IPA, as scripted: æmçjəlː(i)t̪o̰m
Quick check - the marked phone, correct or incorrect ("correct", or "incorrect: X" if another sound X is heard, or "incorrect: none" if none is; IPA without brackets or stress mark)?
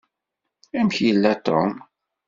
incorrect: æ